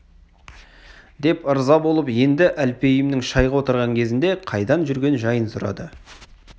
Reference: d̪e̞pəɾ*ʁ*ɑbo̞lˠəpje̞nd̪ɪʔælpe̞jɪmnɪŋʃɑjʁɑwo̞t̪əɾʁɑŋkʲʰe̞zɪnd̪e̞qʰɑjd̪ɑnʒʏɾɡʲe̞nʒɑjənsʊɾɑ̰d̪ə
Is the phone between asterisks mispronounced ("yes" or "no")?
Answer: yes